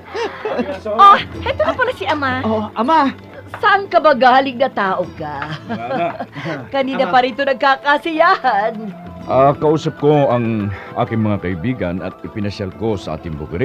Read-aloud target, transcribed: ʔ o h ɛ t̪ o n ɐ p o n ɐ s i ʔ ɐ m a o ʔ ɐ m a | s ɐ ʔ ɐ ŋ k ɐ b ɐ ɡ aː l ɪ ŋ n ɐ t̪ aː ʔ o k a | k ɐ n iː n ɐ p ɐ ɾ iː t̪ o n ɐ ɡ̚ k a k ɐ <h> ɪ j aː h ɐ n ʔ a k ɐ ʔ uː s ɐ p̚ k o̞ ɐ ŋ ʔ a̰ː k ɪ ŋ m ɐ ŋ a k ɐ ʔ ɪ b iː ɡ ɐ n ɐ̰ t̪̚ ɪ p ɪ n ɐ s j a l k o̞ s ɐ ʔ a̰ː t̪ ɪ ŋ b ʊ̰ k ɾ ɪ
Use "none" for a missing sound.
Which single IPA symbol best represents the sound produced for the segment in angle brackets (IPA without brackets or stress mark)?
s